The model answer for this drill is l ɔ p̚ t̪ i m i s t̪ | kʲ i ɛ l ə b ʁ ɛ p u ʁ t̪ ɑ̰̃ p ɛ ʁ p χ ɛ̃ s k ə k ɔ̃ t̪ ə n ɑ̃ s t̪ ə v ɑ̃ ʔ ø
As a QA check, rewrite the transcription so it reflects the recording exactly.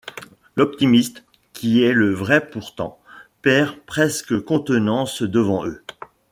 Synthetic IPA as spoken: l ɔ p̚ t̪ i m i s t̪ | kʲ i ɛ l ə v ʁ ɛ p u ʁ t̪ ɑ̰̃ p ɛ ʁ p χ ɛ s k ə k ɔ̃ t̪ ə n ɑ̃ s d̪ ə v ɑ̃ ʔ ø